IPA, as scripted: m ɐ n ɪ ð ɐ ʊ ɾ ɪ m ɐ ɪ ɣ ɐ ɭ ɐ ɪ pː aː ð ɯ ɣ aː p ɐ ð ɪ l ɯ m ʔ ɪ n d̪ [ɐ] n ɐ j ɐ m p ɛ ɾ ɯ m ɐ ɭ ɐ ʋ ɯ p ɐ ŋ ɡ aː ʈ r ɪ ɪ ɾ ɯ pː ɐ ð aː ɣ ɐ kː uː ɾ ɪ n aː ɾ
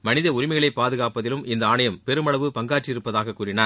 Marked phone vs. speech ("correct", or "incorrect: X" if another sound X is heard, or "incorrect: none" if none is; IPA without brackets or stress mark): incorrect: ɐː